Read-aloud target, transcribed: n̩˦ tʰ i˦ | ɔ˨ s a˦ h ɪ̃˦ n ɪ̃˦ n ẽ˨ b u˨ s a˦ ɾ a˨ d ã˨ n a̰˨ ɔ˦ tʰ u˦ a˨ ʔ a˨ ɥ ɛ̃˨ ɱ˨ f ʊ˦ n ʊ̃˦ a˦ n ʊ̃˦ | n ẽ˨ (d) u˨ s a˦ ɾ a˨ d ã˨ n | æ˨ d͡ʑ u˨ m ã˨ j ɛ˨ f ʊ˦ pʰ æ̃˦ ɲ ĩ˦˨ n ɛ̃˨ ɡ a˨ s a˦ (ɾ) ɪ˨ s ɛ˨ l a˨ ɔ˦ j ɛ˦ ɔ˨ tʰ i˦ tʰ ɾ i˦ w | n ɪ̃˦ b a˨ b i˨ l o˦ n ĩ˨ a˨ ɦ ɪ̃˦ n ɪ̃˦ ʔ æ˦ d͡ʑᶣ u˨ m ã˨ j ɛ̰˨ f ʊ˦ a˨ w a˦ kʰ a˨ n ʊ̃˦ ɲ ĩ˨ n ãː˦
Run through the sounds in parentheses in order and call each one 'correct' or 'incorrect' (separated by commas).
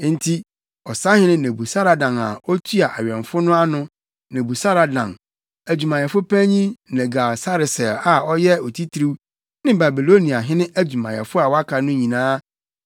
incorrect, correct